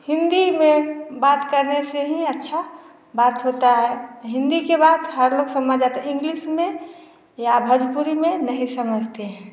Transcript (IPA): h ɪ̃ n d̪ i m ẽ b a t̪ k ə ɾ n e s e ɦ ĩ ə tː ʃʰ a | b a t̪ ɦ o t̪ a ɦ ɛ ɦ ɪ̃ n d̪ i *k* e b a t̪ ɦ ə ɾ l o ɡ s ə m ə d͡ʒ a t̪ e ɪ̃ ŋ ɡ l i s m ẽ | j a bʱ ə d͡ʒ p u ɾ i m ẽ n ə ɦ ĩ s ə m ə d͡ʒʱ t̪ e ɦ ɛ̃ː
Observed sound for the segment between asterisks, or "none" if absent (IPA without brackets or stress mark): k